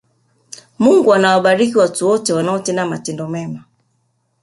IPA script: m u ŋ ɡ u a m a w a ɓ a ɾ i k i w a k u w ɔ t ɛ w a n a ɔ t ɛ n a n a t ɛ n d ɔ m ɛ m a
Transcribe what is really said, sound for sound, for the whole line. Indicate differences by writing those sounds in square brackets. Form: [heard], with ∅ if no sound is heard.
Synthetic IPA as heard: m u ŋ ɡ u a [n] a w a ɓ a ɾ i k i w a [t] u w ɔ t ɛ w a n a ɔ t ɛ n a [m] a t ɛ n d ɔ m ɛ m a